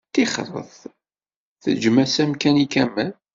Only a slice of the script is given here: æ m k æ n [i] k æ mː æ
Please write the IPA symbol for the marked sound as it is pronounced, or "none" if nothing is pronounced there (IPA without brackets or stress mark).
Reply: i